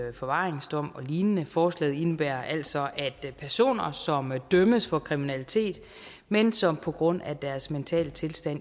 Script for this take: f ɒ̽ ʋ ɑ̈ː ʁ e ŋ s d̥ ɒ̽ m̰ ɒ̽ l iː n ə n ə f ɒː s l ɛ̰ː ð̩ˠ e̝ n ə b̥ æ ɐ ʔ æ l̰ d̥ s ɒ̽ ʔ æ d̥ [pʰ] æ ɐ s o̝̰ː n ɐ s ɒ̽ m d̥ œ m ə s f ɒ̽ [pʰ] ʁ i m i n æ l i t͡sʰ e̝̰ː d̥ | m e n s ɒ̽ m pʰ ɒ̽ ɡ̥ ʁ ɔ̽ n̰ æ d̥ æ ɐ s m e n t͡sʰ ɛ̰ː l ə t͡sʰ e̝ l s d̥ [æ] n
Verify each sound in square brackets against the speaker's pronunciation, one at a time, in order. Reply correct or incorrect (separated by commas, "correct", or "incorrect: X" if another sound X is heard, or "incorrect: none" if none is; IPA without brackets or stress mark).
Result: correct, incorrect: kʰ, correct